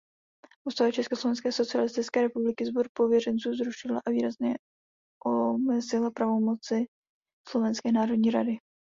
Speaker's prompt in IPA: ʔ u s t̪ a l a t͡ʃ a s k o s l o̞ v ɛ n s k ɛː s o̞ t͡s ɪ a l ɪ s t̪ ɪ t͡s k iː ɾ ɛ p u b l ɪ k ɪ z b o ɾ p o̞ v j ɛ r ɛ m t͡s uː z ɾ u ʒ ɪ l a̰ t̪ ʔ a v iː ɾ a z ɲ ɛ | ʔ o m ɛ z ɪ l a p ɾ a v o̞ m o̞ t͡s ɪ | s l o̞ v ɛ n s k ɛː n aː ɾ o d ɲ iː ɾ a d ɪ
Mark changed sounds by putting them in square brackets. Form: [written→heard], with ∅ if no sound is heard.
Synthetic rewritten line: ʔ u s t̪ a l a t͡ʃ [a→ɛ] s k o s l o̞ v ɛ n s k ɛː s o̞ t͡s ɪ a l ɪ s t̪ ɪ t͡s k [iː→ɛː] ɾ ɛ p u b l ɪ k ɪ z b o ɾ p o̞ v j ɛ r ɛ [m→n] t͡s uː z ɾ u [ʒ→ʃ] ɪ l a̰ [t̪→∅] ʔ a v iː ɾ a z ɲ ɛ | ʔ o m ɛ z ɪ l a p ɾ a v o̞ m o̞ t͡s ɪ | s l o̞ v ɛ n s k ɛː n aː ɾ o d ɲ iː ɾ a d ɪ